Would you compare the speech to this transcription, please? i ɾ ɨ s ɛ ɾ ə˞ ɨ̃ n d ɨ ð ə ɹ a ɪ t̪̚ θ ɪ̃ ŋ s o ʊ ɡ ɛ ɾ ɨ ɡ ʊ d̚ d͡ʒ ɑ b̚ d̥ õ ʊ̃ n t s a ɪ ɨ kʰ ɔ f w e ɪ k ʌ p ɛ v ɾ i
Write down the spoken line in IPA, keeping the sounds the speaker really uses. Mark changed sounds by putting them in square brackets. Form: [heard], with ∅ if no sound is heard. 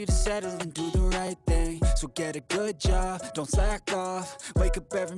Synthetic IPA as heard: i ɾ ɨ s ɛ ɾ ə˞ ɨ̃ n d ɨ ð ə ɹ a ɪ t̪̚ θ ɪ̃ ŋ s o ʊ ɡ ɛ ɾ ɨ ɡ ʊ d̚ d͡ʒ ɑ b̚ d̥ õ ʊ̃ n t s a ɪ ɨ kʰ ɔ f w e ɪ k ʌ p ɛ v [ɹ] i